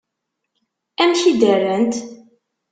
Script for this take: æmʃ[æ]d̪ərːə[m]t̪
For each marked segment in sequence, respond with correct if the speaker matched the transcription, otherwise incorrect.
incorrect: i, incorrect: n

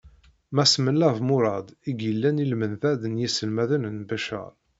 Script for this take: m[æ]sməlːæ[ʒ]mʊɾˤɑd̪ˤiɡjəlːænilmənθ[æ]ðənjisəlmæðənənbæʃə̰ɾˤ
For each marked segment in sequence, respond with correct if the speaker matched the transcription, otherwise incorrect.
correct, incorrect: v, correct

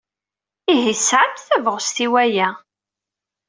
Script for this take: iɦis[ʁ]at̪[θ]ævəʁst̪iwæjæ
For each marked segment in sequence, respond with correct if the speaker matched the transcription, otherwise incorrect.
incorrect: ʕ, correct

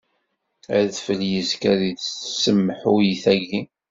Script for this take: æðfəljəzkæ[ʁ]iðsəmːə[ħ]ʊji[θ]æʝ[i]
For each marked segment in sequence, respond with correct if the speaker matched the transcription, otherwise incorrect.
incorrect: ð, correct, correct, correct

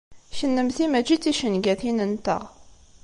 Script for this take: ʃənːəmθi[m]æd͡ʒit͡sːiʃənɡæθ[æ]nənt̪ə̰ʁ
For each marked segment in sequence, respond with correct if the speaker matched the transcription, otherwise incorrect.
correct, incorrect: i

